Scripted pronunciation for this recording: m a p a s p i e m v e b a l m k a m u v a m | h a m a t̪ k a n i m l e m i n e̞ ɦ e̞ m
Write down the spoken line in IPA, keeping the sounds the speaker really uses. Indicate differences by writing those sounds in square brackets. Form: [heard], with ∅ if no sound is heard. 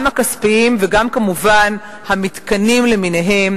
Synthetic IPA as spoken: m a [k] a s p i [i] m v e [ɡ] a [∅] m k a m u v a [n] | h a m [i] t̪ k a n i m l e m i n e̞ ɦ e̞ m